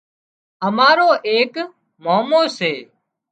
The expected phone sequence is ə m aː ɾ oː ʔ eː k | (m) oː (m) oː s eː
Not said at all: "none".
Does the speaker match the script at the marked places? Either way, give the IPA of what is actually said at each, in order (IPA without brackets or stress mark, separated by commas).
m, m